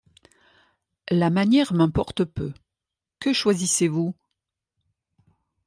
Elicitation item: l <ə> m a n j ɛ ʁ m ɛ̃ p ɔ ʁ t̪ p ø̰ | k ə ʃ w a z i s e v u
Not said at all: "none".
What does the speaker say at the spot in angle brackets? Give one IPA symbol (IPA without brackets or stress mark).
a